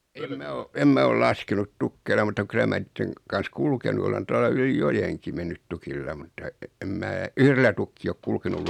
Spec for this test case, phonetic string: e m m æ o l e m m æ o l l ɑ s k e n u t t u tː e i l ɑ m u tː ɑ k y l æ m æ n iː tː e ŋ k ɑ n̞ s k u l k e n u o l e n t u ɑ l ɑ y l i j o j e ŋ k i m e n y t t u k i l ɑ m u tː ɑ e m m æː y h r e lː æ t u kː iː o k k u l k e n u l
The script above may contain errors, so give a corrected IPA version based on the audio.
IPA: e m m æ o e m m æ o l l ɑ s k e n u t t u kː e i l ɑ m u tː ɑ k y l æ m æ n iː tː e ŋ k ɑ n̞ s k u l k e n u o l e n t u ɑ l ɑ y l i j o j e ŋ k i m e nː y t t u k i lː ɑ m u tː ɑ e m m æː y h r e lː æ t u kː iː o k k u l k e n u l

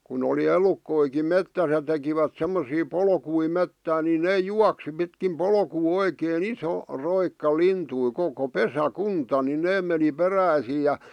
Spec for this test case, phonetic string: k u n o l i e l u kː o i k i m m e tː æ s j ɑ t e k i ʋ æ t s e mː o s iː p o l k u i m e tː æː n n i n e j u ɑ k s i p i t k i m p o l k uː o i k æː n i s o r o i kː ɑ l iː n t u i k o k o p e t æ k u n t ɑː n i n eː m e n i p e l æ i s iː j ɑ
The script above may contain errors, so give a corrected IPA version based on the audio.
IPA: k u n o l i e l u kː o i k i m m e tː æ s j ɑ t e k i ʋ æ t s e mː o s iː p o l k u i m e tː æː n n i n e j u ɑ k s i p i t k i m p o l k uː o i k eː n i s o r o i kː ɑ l i n t u i k o k o p e s æ k u n t ɑ n i n eː m e n i p e r æ i s iː j ɑ

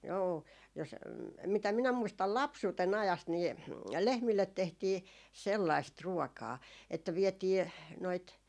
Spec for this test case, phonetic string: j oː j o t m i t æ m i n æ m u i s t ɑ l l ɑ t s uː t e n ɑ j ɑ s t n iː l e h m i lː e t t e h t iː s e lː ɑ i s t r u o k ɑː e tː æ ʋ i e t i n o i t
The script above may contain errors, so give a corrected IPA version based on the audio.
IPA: j oː j o s m i t æ m i n æ m u i s t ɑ l l ɑ p s uː t e n ɑ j ɑ s t n iː l e h m i lː e t t e h t iː s e lː ɑ i s t r u o k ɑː e tː æ ʋ i e t iː n o i t

